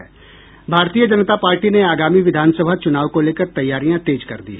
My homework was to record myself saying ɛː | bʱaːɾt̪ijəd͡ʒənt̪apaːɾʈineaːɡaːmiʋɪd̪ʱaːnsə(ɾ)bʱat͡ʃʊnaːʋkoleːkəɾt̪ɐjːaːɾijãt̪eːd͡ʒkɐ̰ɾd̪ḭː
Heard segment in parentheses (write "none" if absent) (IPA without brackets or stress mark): none